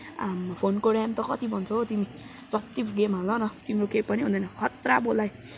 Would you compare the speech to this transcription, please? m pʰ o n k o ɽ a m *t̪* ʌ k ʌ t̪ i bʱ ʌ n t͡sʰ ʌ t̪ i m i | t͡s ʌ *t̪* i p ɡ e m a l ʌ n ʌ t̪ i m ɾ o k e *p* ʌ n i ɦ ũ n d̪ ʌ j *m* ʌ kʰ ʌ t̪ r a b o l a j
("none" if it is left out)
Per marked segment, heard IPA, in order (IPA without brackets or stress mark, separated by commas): t̪, t̪, p, n